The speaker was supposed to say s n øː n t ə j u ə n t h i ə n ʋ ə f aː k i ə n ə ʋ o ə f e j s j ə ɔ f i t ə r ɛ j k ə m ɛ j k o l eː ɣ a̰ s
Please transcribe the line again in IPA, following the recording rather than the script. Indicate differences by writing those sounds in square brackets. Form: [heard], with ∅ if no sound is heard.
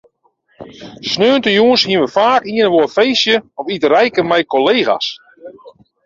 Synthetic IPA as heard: s n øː n t ə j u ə n [s] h i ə n ʋ ə f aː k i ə n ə ʋ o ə f e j s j ə ɔ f i t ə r ɛ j k ə m ɛ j k o l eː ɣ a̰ s